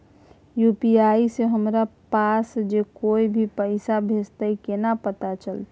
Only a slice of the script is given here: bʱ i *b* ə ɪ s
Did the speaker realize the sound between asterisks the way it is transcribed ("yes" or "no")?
no